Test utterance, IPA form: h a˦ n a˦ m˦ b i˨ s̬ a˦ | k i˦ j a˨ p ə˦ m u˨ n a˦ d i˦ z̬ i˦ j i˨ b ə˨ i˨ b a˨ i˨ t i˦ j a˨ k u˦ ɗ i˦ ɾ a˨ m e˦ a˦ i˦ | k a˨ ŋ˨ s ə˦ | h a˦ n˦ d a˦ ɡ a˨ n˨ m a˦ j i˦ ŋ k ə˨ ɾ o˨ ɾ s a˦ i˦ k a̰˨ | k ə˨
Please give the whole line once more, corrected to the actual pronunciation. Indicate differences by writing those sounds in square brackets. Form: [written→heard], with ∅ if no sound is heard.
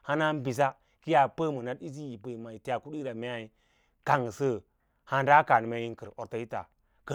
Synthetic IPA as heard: h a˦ n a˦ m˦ b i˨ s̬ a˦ | k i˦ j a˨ p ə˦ m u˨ n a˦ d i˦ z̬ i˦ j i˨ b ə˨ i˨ [b→m] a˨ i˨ t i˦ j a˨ k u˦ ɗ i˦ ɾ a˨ m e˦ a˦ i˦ | k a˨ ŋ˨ s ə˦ | h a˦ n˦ d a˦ [ɡ→k] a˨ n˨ m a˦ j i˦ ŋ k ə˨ ɾ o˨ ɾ [s→t] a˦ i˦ [k→t] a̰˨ | k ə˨